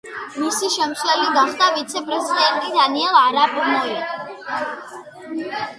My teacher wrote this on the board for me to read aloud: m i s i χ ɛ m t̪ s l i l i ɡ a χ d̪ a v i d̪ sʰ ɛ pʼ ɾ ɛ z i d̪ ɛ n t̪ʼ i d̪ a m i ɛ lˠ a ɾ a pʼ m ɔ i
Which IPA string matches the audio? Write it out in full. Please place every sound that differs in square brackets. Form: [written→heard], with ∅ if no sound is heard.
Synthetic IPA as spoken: m i s i [χ→ʃ] ɛ m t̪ s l [i→ɛ] l i ɡ a χ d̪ a v i [d̪→t̪] sʰ ɛ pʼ ɾ ɛ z i d̪ ɛ n t̪ʼ i d̪ a [m→n] i ɛ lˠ a ɾ a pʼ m ɔ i